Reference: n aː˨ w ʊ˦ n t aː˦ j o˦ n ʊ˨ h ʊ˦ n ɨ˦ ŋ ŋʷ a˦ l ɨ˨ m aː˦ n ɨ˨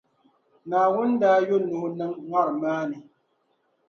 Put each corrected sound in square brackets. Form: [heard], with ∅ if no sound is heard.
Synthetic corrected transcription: n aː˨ w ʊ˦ n [d] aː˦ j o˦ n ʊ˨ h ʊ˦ n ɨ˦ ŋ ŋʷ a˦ [ɾ] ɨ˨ m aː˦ n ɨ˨